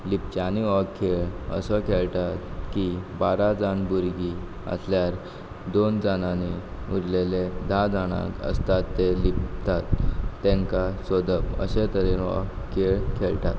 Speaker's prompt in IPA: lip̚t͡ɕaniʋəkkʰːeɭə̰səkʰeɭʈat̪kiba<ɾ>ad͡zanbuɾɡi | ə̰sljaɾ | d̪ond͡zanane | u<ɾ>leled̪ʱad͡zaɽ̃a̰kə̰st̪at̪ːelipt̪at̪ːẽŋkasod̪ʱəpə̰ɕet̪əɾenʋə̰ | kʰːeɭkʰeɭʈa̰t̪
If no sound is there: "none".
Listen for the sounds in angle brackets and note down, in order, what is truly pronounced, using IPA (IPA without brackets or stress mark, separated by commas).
ɾ, ɾ